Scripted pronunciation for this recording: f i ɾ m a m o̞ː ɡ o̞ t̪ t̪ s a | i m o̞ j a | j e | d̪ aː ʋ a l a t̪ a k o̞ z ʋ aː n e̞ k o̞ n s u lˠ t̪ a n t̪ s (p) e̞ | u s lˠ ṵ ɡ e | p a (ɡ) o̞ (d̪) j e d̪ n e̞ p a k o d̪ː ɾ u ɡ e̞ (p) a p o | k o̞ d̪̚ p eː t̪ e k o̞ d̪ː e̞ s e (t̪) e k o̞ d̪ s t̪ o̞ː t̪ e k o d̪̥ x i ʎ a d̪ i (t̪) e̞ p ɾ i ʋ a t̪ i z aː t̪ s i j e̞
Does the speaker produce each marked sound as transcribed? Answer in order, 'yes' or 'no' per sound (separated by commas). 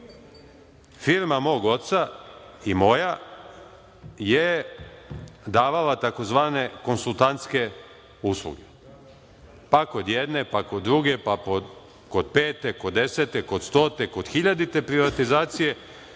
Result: no, no, yes, yes, yes, yes